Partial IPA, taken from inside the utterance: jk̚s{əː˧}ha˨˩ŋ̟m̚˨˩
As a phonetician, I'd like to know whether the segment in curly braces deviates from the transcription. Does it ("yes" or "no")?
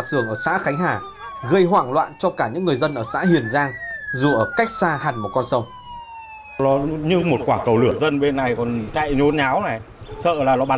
yes